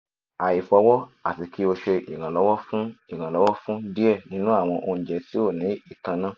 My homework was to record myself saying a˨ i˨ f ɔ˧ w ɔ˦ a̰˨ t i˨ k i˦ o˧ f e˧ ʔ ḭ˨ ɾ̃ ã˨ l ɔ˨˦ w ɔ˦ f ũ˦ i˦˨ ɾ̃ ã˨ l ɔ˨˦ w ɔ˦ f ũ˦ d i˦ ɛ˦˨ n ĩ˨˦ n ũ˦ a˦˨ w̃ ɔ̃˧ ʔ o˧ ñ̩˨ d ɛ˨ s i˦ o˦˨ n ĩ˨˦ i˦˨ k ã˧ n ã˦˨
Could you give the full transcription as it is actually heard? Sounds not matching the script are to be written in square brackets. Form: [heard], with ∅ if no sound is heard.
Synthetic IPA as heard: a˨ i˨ f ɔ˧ w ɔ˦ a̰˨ t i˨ k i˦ o˧ [ʃ] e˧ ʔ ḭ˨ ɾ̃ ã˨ l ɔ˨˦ w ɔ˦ f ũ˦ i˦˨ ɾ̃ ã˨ l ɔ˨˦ w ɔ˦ f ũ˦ d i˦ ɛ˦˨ n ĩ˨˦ n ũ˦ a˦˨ w̃ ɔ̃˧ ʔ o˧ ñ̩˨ [d͡ʒ] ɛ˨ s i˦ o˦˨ n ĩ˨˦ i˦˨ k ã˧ n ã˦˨